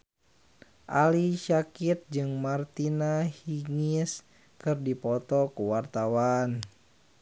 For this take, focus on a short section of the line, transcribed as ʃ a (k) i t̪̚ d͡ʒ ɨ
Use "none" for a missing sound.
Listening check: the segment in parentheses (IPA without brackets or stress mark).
k